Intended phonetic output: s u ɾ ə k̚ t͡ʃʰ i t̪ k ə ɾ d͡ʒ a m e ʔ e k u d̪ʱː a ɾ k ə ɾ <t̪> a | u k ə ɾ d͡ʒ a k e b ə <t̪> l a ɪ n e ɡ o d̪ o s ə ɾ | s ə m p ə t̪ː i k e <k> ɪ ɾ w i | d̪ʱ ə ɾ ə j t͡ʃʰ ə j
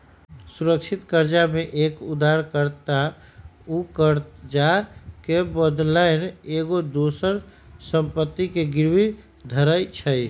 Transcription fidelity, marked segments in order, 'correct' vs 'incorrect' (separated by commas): correct, incorrect, incorrect